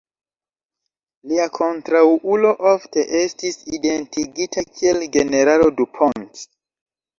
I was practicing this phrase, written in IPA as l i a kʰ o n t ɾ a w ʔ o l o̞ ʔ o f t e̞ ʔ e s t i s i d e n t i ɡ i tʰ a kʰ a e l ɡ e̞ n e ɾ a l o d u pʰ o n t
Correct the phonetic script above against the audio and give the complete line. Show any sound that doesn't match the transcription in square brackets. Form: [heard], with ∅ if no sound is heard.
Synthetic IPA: l i a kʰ o n t ɾ a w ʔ [u] l o̞ ʔ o f t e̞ ʔ e s t i s i d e n t i ɡ i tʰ a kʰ [i] e l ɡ e̞ n e ɾ a l o d u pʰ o n t